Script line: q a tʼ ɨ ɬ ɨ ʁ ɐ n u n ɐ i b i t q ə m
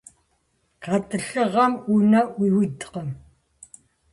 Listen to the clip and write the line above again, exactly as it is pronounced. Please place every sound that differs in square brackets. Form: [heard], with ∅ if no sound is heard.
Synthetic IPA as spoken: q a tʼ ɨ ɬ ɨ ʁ ɐ [m] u n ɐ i [w] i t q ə m